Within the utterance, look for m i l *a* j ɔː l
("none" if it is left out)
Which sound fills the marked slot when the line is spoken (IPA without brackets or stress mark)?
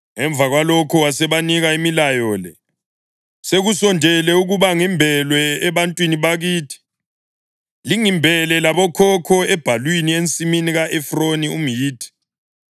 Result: a